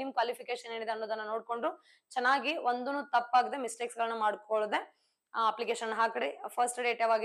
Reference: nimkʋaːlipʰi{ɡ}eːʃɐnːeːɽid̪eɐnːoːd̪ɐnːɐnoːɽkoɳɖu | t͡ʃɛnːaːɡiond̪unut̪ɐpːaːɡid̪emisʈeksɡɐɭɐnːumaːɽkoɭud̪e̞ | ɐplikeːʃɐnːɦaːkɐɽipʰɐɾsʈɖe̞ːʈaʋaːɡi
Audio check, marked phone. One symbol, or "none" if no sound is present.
k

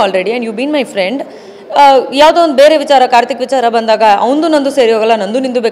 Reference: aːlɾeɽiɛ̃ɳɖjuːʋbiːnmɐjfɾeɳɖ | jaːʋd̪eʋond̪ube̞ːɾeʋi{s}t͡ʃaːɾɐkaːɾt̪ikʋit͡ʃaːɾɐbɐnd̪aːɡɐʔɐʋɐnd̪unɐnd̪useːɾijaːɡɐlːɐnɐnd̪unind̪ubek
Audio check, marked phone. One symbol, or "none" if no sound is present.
none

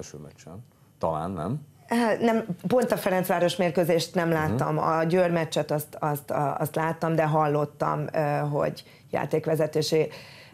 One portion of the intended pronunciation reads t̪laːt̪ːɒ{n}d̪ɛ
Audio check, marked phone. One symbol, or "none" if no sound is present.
m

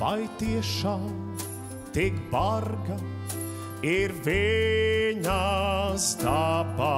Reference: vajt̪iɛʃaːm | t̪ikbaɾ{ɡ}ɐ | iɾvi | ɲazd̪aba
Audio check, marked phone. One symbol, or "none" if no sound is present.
ɡ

